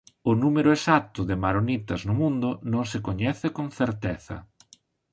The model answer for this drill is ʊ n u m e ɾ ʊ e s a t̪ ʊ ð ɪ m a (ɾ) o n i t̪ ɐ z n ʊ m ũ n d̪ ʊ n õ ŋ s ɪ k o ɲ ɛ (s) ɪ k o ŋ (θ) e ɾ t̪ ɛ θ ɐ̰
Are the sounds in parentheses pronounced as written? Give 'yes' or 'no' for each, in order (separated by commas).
yes, no, yes